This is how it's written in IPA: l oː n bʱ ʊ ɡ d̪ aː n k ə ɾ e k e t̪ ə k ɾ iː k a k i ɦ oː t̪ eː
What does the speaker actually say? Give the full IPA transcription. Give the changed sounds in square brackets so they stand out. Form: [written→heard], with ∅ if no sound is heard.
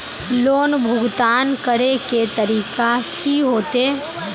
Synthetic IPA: l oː n bʱ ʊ ɡ [d̪→t̪] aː n k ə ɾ e k e t̪ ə [k→∅] ɾ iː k a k i ɦ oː t̪ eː